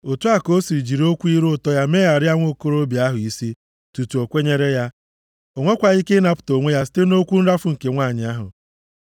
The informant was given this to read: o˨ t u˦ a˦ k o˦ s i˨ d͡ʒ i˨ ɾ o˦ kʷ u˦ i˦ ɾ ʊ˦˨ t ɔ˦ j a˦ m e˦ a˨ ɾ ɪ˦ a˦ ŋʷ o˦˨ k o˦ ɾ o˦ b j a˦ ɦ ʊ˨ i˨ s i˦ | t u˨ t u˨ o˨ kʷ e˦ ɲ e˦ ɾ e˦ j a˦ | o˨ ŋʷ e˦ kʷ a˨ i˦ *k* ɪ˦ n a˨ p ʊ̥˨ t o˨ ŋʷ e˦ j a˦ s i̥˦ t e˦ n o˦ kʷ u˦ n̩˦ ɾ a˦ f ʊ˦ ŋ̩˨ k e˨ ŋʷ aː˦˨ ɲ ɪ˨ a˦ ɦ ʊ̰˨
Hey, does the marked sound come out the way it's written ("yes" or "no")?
yes